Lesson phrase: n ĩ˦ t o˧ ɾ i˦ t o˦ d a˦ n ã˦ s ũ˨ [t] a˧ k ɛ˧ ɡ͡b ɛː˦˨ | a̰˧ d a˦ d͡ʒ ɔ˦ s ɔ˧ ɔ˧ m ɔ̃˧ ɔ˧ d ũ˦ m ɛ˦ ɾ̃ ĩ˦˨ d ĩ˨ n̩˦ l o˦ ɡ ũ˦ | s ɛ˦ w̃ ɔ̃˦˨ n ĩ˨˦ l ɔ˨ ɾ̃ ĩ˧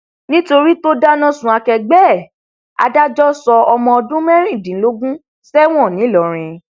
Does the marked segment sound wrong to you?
yes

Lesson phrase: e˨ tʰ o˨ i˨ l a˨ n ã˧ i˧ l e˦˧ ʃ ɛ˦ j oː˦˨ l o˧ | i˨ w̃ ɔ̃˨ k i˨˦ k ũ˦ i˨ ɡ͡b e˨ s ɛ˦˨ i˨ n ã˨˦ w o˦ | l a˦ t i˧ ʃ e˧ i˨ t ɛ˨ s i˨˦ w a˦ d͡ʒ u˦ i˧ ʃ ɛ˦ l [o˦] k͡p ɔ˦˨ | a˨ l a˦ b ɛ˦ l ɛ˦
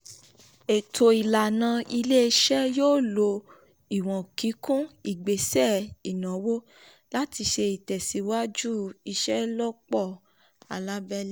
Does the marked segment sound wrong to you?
yes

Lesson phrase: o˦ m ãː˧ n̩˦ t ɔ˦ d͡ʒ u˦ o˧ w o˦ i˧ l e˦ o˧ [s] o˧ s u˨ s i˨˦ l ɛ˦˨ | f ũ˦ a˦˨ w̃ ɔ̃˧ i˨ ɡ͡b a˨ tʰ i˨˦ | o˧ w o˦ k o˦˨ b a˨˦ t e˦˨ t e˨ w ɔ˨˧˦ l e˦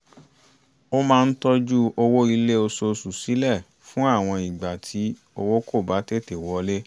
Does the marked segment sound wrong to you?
no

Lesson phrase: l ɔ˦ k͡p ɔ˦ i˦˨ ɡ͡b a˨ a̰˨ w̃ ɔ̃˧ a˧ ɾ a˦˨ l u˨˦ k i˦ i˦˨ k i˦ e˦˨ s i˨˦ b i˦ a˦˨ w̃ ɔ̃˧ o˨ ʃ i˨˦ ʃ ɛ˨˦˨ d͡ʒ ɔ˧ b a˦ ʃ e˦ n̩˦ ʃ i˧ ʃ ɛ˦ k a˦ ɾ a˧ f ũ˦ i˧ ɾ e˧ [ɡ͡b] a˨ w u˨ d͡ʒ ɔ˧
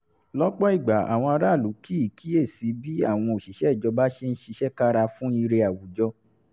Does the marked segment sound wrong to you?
yes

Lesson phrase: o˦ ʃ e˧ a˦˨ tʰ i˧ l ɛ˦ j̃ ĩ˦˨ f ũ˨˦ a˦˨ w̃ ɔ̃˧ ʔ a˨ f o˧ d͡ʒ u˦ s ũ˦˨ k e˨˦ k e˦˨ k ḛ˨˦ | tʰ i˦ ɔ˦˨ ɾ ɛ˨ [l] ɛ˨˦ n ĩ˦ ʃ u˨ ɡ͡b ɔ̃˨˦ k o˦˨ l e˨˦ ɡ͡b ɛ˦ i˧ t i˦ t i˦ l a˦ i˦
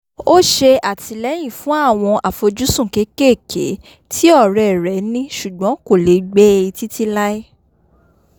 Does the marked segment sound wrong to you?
yes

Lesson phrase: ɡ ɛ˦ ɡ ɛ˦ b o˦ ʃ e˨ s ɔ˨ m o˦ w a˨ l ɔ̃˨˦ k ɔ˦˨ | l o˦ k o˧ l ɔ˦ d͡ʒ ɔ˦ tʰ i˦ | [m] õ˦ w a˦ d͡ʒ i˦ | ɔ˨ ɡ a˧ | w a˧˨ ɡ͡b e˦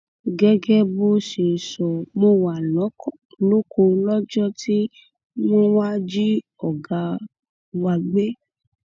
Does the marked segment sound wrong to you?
no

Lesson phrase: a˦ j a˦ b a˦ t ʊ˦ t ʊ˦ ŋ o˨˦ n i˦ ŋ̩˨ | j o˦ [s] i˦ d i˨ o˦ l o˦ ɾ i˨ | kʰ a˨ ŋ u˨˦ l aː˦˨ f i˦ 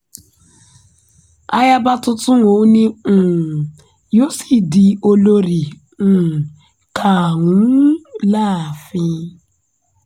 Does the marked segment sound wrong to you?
no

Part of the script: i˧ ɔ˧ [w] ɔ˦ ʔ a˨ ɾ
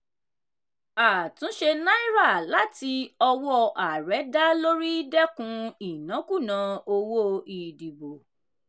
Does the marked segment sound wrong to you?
no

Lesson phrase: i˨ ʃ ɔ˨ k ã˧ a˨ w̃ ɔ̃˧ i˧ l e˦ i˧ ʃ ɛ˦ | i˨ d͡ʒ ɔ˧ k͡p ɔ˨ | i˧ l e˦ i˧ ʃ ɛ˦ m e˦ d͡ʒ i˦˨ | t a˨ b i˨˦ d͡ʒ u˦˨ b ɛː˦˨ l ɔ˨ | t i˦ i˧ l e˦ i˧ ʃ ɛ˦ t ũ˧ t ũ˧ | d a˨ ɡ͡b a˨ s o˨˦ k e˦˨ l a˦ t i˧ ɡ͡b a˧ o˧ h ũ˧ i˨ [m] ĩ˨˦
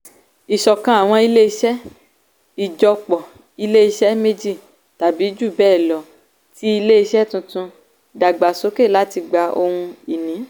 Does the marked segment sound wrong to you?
yes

